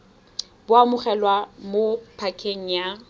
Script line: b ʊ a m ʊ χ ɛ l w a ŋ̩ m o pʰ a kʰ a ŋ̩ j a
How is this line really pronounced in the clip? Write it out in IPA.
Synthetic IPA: b ʊ a m ʊ χ ɛ l w a m o pʰ a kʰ e ŋ̩ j a